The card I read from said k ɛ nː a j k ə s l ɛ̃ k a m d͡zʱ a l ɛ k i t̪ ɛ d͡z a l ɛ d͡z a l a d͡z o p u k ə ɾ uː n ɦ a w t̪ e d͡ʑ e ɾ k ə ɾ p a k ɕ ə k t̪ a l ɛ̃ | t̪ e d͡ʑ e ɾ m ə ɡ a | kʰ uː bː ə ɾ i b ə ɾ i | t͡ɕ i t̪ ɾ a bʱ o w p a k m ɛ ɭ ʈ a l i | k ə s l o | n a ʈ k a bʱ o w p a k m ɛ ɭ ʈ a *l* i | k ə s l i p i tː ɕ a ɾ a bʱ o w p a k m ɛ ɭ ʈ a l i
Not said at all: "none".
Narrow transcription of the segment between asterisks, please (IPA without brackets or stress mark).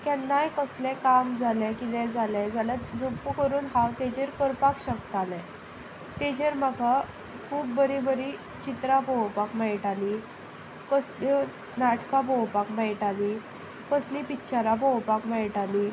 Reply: l